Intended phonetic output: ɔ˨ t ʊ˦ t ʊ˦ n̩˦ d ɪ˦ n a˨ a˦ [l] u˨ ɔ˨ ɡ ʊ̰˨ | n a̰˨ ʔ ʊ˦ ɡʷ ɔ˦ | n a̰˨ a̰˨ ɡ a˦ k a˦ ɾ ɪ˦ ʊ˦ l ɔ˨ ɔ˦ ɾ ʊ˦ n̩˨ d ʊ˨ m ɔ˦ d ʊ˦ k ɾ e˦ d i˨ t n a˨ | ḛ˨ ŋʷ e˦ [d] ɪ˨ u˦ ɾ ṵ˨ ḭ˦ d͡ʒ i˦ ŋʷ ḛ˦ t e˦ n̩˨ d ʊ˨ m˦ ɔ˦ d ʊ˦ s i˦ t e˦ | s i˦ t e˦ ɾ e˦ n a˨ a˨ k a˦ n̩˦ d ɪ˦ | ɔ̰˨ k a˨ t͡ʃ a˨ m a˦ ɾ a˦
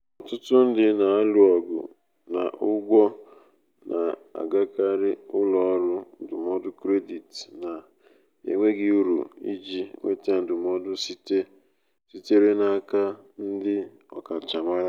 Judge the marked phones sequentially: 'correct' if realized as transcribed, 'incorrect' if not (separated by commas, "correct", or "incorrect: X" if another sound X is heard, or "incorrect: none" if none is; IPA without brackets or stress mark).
correct, incorrect: ɡ